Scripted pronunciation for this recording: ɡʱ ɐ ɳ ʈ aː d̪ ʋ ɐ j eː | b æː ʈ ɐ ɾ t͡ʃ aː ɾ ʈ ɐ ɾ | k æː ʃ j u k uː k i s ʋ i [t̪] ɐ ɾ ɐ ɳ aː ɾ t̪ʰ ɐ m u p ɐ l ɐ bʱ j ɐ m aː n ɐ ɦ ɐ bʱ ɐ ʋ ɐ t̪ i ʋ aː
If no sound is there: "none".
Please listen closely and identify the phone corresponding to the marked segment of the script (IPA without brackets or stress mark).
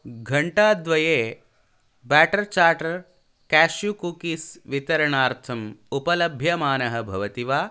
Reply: t̪